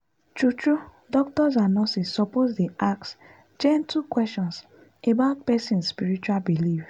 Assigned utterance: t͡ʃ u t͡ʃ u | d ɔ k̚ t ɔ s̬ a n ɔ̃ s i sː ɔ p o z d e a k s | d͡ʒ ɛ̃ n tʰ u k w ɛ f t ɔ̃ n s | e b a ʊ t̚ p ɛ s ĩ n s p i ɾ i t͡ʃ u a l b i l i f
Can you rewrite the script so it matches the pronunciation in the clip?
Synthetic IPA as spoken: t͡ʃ u t͡ʃ u | d ɔ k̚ t ɔ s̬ a n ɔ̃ s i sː ɔ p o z d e a k s | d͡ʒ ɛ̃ n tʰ u k w ɛ s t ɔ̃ n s | e b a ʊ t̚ p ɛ s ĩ n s p i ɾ i t͡ʃ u a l b i l i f